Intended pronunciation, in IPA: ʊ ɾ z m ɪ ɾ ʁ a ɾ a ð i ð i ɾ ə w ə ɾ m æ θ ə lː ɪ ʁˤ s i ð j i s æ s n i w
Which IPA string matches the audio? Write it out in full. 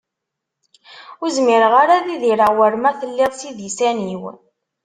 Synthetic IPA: ʊ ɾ z m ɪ ɾ ʁ a ɾ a ð i ð i ɾ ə w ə ɾ m æ θ ə lː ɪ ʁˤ s i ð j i s æ n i w